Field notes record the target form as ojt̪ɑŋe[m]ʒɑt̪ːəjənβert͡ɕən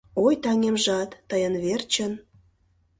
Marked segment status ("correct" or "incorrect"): correct